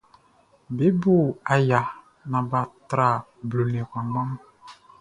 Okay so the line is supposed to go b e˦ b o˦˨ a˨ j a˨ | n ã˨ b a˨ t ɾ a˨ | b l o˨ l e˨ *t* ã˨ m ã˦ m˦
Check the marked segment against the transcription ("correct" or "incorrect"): incorrect